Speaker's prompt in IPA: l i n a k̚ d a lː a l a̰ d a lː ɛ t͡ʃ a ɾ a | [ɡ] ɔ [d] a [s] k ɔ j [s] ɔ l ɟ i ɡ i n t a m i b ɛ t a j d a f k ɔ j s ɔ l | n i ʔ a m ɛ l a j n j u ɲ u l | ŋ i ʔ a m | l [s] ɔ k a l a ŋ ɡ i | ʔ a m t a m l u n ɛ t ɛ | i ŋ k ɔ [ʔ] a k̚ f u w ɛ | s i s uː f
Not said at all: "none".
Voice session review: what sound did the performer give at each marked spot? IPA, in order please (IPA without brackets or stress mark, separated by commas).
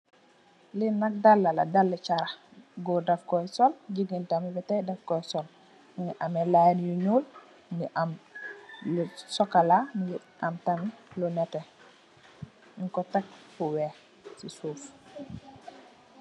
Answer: ɡ, d, f, s, s, t